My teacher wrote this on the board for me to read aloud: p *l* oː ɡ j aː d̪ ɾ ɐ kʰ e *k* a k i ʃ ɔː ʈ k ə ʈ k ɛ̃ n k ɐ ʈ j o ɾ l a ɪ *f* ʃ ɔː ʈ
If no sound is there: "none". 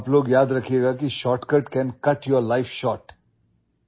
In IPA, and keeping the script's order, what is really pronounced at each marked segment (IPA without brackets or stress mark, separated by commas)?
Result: l, ɡ, f